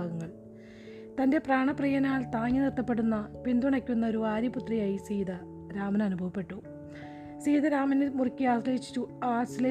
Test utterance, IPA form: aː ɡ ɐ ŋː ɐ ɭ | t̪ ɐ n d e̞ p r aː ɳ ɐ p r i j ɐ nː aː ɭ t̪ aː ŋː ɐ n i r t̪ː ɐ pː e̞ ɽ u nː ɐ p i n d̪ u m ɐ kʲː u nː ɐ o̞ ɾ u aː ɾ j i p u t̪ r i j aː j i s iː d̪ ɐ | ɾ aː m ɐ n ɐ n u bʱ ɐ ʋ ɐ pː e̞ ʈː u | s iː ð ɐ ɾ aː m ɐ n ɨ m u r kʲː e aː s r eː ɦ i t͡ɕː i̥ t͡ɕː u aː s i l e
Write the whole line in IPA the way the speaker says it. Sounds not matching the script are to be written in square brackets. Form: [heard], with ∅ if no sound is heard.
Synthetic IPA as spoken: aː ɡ ɐ ŋː ɐ ɭ | t̪ ɐ n d e̞ p r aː ɳ ɐ p r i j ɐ [n] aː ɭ t̪ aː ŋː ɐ n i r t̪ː ɐ pː e̞ ɽ u nː ɐ p i n d̪ u [ɳ] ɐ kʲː u nː ɐ o̞ ɾ u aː ɾ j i p u t̪ r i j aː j i s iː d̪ ɐ | ɾ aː m ɐ n ɐ n u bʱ ɐ ʋ ɐ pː e̞ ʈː u | s iː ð ɐ ɾ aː m ɐ n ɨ m u r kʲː [i] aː s [l] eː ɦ i t͡ɕː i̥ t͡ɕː u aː s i l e